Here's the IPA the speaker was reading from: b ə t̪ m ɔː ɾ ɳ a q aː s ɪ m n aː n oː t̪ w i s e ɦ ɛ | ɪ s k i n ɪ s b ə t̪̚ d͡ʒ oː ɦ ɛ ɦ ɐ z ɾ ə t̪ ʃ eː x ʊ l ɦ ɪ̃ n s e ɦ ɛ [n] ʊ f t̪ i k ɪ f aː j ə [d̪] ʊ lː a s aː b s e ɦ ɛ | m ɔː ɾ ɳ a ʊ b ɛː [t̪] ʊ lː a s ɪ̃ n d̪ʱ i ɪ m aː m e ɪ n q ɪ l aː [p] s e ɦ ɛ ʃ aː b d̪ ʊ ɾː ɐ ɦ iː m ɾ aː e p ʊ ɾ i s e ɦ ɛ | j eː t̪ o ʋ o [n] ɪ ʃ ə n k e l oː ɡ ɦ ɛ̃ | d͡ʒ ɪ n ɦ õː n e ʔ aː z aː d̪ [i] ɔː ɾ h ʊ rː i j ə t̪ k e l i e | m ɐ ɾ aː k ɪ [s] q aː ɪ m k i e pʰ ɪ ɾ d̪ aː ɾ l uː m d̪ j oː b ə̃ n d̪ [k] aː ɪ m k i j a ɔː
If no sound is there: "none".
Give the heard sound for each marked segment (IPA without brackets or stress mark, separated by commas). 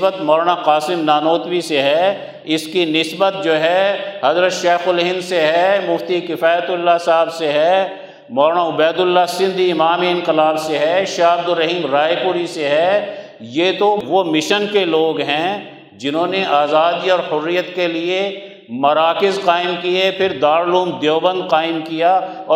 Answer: m, t̪, d̪, b, m, i, z, q